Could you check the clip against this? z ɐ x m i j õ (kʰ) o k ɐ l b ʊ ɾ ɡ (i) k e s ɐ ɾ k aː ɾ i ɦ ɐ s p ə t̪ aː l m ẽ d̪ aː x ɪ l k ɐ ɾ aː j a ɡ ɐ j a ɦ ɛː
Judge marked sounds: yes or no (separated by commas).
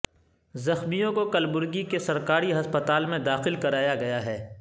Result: no, yes